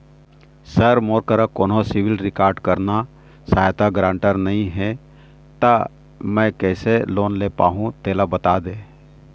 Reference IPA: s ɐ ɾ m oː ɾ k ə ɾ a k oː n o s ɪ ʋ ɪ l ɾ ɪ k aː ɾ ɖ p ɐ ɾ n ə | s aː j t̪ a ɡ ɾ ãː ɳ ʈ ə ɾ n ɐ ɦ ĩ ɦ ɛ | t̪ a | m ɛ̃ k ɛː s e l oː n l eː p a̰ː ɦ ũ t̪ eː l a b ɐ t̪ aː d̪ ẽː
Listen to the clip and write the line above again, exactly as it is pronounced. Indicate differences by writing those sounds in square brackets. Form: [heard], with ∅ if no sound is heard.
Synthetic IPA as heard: s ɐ ɾ m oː ɾ k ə ɾ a k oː n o s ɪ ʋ ɪ l ɾ ɪ k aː ɾ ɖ [k] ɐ ɾ n [a] | s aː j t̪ a ɡ ɾ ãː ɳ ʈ ə ɾ n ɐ ɦ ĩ ɦ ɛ | t̪ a | m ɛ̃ k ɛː s e l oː n l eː p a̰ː ɦ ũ t̪ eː l a b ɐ t̪ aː d̪ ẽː